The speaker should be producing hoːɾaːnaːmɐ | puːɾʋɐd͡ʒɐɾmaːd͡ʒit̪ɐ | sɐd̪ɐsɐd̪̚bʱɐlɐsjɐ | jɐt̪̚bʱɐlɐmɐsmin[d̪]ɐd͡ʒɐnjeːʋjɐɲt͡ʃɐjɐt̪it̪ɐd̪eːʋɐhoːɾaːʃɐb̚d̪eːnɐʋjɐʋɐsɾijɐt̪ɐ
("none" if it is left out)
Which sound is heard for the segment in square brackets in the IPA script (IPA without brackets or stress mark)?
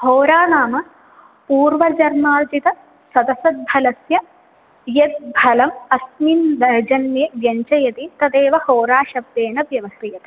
d̪